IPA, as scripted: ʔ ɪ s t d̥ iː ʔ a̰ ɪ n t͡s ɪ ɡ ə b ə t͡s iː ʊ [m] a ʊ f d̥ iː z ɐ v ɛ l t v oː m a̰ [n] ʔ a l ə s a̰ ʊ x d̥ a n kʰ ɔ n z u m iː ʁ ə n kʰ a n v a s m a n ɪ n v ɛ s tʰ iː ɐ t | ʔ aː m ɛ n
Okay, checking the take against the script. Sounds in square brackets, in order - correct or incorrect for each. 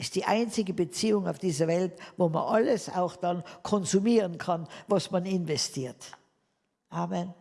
incorrect: ŋ, correct

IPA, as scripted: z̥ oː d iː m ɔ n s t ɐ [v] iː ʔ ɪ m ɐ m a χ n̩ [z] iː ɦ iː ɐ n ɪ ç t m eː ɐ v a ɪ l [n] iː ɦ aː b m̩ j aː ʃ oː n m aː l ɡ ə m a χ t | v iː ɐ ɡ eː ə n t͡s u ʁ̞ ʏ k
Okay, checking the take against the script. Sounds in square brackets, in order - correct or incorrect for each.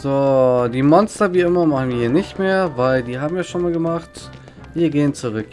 correct, incorrect: v, incorrect: d

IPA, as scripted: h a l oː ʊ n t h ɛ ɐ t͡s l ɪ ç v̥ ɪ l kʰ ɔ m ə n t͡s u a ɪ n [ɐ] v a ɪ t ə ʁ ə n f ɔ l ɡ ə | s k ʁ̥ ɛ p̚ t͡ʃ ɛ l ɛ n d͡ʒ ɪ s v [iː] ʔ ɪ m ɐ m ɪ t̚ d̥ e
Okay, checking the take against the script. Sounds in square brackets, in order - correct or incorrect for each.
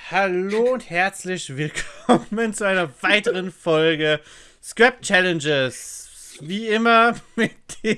correct, correct

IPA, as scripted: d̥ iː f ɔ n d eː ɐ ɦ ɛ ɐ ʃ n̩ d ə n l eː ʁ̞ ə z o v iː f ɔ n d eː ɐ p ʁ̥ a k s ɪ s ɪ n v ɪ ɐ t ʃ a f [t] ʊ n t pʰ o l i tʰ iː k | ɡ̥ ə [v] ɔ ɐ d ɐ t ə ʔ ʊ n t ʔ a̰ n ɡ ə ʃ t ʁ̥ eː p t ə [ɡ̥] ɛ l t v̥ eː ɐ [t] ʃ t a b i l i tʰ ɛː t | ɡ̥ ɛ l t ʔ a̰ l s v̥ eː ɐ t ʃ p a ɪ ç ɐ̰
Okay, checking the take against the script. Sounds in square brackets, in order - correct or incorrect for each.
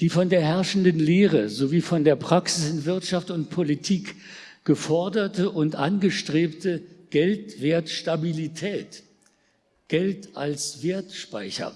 correct, incorrect: f, correct, correct

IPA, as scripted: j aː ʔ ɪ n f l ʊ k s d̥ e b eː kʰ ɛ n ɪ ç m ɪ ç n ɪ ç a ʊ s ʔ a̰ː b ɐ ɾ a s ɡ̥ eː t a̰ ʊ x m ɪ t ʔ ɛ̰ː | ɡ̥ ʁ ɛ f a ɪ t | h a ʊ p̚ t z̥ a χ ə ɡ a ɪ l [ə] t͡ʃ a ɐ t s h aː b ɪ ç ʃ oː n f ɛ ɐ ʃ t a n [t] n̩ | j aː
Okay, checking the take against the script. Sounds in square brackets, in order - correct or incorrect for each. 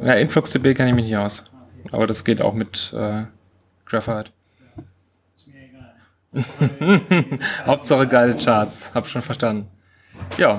correct, incorrect: d

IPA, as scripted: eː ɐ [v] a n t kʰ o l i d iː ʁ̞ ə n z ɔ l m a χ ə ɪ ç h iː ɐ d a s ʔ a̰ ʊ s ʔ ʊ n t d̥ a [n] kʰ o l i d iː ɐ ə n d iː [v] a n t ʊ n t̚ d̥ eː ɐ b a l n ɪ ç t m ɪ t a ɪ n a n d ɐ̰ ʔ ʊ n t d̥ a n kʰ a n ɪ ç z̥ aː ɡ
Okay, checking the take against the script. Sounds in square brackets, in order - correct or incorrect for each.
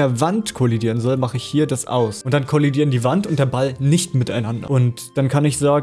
correct, correct, correct

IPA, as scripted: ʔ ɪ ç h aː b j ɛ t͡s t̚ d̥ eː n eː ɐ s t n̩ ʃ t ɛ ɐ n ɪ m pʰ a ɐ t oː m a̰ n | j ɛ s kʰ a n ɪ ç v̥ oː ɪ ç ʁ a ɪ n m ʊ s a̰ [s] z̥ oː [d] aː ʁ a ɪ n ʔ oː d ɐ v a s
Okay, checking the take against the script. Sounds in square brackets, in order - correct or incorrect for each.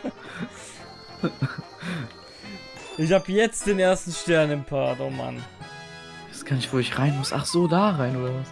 incorrect: χ, correct

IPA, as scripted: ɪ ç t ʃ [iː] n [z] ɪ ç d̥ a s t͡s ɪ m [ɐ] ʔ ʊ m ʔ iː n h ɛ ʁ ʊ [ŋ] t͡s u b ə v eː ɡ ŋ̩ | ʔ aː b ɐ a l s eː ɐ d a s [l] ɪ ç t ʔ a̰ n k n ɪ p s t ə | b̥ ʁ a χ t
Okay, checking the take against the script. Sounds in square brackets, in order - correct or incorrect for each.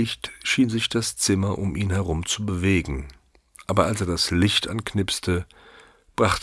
correct, correct, correct, incorrect: m, correct

